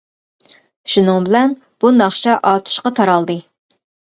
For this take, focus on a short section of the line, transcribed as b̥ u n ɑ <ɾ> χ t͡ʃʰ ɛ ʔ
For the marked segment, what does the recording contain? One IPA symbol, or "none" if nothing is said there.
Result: none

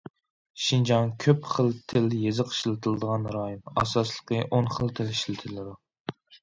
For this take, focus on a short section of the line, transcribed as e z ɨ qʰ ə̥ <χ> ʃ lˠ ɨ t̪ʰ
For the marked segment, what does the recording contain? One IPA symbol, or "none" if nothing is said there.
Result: none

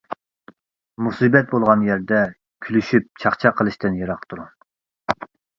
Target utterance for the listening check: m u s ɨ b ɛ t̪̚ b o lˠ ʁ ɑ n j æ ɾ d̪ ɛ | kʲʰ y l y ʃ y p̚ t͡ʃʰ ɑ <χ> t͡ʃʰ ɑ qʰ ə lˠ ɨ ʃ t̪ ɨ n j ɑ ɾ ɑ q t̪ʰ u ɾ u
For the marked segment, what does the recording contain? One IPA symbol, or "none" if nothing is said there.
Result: χ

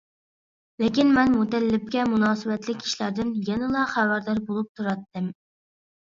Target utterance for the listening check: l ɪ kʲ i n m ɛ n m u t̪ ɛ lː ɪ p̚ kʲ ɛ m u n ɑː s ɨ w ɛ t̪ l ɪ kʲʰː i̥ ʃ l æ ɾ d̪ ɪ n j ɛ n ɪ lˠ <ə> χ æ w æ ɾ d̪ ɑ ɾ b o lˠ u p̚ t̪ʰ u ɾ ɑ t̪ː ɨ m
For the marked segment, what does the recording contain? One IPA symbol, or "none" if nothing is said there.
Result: ɑ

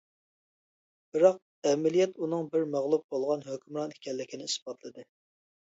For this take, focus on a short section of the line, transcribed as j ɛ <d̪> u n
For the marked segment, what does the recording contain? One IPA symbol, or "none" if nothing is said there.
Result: t̪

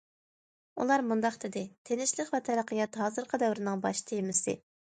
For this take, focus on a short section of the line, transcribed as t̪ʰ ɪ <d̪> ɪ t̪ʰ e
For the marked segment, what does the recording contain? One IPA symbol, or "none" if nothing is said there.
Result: d̪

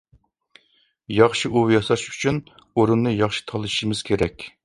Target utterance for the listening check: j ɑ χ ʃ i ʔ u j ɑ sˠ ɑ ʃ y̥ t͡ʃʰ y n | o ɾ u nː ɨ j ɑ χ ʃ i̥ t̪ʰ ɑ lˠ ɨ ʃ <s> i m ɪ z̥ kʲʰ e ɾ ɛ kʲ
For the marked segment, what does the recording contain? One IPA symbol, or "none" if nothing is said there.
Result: ʃ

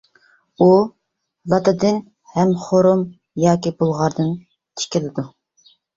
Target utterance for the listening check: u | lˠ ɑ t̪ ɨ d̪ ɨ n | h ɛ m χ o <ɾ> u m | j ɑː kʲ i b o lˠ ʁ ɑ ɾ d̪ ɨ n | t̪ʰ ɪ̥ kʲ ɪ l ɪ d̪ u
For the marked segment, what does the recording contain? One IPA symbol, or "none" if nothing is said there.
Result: ɾ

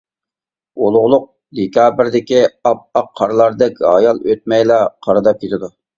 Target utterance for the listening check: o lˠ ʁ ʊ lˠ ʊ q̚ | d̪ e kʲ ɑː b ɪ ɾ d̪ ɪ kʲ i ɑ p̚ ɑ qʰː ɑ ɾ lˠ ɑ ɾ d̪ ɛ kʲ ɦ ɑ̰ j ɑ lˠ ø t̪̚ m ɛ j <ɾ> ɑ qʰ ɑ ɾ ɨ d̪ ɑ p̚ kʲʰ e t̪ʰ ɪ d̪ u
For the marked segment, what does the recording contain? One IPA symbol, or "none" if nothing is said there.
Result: l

